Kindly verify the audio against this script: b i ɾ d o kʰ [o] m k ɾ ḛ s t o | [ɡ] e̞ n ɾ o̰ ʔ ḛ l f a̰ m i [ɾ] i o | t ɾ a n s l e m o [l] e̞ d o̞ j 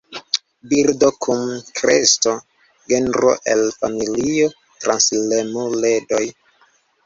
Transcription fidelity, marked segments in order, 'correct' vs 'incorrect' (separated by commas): incorrect, correct, incorrect, correct